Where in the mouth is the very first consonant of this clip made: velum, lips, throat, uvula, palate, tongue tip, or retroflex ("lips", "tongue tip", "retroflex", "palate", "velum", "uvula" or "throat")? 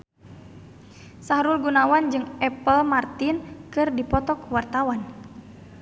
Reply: tongue tip